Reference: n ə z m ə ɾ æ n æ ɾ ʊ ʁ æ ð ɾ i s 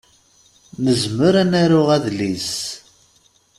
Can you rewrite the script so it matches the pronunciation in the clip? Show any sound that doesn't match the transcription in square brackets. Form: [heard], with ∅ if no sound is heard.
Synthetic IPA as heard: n ə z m ə ɾ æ n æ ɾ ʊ ʁ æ ð [l] i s